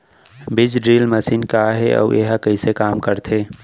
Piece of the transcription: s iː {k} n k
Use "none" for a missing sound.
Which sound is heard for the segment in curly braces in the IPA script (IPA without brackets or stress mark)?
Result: none